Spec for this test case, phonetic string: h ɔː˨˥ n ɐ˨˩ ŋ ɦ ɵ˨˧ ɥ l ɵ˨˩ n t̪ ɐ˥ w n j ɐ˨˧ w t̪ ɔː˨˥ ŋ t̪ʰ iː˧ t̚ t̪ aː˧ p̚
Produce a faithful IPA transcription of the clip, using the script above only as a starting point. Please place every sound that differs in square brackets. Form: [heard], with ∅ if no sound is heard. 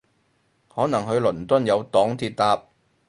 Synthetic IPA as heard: h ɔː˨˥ n ɐ˨˩ ŋ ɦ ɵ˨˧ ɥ l ɵ˨˩ n t̪ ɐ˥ [∅] n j ɐ˨˧ w t̪ ɔː˨˥ ŋ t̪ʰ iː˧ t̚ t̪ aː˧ p̚